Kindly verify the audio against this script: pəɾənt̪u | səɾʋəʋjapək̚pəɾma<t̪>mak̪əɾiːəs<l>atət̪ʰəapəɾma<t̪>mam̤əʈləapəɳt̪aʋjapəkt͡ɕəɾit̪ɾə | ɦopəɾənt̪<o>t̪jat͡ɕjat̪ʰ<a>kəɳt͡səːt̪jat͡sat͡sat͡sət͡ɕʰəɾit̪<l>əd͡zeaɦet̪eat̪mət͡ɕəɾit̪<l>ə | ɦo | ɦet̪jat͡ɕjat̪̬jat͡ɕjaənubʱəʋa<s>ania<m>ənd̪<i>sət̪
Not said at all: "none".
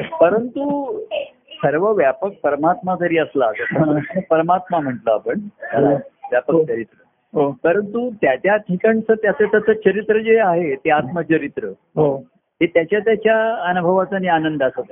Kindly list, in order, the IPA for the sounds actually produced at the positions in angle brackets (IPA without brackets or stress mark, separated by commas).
t̪, l, t̪, u, i, ɾ, ɾ, t͡s, n, a